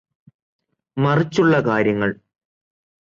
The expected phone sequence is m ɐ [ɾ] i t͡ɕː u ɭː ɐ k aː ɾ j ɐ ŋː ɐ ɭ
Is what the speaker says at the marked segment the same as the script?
no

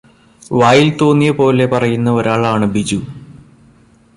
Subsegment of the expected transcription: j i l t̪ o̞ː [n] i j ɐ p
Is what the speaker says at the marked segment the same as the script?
no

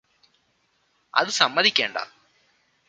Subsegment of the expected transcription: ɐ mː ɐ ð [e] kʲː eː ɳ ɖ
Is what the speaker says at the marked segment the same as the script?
no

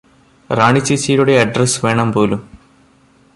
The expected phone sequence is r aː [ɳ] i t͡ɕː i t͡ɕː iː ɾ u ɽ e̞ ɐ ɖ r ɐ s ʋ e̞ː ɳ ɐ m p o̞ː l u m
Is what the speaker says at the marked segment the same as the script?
yes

